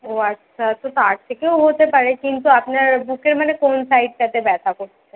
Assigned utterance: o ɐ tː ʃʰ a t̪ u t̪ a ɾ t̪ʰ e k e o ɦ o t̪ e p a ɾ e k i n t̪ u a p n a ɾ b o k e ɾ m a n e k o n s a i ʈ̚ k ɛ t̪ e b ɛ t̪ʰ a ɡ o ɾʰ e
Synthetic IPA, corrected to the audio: o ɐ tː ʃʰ a t̪ o t̪ a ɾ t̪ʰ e k e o ɦ o t̪ e p a ɾ e k i n t̪ u a p n a ɾ b u k e ɾ m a n e k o n s a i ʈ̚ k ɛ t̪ e b ɛ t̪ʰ a k o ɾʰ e